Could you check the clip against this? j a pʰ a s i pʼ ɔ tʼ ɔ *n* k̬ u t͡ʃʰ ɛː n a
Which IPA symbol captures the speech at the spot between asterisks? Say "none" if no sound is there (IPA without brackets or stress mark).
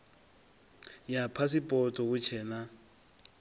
none